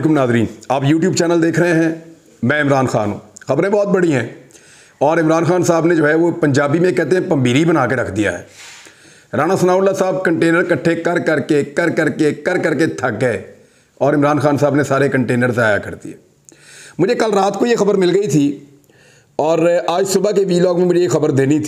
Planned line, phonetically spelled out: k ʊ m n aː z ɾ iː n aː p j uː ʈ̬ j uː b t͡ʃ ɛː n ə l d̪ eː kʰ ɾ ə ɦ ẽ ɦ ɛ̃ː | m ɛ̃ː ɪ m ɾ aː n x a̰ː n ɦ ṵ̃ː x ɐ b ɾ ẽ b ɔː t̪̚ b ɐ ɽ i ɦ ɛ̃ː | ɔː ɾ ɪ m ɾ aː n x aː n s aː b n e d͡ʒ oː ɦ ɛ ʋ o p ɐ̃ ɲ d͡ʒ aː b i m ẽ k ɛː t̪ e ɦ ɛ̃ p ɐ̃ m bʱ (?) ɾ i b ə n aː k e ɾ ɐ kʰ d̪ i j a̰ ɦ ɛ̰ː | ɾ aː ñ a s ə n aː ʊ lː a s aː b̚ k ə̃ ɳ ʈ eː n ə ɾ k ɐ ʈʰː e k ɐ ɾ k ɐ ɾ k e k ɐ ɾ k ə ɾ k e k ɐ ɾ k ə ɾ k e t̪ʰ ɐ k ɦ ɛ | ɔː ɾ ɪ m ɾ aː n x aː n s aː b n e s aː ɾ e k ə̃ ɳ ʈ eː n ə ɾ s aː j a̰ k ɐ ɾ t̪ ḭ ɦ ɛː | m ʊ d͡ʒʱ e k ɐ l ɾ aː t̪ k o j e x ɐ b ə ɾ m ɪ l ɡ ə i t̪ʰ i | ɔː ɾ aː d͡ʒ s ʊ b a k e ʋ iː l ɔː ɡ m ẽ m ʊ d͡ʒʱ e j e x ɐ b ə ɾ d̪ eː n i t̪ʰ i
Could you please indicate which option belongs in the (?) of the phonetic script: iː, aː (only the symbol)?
iː